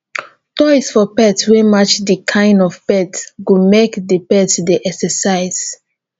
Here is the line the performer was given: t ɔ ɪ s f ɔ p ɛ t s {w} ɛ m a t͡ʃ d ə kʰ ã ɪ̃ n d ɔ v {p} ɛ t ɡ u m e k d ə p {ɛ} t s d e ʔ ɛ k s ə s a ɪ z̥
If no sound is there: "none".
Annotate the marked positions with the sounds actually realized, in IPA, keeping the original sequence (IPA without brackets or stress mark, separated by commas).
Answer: w, p, ɛ